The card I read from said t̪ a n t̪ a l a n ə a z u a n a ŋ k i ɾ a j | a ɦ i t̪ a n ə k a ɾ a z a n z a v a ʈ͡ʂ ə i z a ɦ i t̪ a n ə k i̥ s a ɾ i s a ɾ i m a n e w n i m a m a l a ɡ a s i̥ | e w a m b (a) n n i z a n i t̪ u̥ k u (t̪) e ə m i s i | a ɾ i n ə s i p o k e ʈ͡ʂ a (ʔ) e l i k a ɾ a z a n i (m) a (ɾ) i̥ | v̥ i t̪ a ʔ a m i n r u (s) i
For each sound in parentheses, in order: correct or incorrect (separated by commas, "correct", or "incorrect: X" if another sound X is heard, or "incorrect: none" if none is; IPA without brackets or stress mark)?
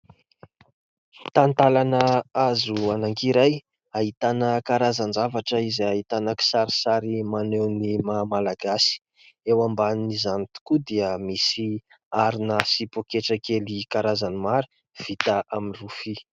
correct, incorrect: d̪, incorrect: k, correct, correct, incorrect: f